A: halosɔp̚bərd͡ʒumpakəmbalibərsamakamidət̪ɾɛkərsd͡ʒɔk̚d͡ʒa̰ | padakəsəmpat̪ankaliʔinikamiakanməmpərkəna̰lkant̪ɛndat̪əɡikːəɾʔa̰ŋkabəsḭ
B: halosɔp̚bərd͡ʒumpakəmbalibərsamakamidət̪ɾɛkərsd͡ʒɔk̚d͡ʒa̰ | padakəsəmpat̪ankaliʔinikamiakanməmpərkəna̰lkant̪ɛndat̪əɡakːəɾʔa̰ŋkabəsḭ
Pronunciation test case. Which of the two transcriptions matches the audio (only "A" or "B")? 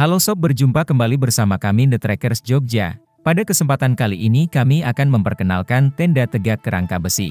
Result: B